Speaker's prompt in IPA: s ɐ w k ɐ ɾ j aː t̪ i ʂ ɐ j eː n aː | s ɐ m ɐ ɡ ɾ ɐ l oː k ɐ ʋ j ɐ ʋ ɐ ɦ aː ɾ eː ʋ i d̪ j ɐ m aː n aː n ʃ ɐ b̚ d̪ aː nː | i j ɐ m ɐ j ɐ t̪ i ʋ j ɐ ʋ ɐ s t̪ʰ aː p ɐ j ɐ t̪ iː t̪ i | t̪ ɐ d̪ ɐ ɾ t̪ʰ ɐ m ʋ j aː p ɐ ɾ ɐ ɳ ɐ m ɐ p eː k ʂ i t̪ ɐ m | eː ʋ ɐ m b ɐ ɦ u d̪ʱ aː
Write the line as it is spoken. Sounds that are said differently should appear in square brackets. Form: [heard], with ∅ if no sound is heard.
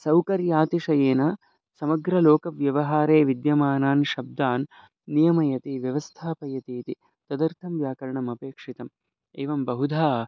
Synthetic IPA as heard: s ɐ w k ɐ ɾ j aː t̪ i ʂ ɐ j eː n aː | s ɐ m ɐ ɡ ɾ ɐ l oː k ɐ ʋ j ɐ ʋ ɐ ɦ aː ɾ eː ʋ i d̪ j ɐ m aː n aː n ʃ ɐ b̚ d̪ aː nː | i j ɐ m ɐ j ɐ t̪ i ʋ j ɐ ʋ ɐ s t̪ʰ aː p ɐ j ɐ t̪ iː t̪ i | t̪ ɐ d̪ ɐ ɾ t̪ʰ ɐ m ʋ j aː [k] ɐ ɾ ɐ ɳ ɐ m ɐ p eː k ʂ i t̪ ɐ m | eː ʋ ɐ m b ɐ ɦ u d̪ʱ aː